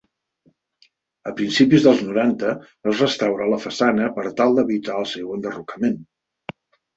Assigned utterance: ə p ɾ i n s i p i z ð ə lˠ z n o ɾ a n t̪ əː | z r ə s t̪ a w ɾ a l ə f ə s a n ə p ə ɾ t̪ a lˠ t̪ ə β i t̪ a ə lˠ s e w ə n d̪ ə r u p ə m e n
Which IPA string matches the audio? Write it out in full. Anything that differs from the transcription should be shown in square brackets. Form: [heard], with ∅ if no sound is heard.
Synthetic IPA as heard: ə p ɾ i n s i p i z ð ə lˠ z n [u] ɾ a n t̪ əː | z r ə s t̪ a w ɾ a l ə f ə s a n ə p ə ɾ t̪ a lˠ [d̪] ə β i t̪ a ə lˠ s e w ə n d̪ ə r u [k] ə m e n